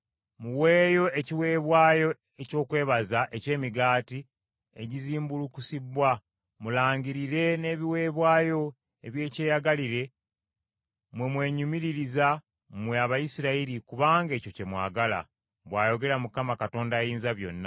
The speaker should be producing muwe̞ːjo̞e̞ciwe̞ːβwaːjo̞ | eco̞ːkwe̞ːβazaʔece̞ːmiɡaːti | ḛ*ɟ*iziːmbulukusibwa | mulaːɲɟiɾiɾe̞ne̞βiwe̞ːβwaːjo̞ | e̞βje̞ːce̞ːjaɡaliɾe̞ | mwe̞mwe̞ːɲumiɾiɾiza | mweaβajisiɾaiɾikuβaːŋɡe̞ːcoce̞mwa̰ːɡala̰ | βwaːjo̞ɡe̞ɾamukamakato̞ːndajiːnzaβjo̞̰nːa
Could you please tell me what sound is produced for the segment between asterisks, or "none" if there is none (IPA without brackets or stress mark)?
ɟ